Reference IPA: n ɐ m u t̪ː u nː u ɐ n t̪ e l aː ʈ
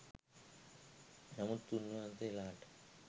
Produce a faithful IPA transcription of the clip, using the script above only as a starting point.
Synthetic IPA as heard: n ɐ m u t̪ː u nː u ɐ n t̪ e l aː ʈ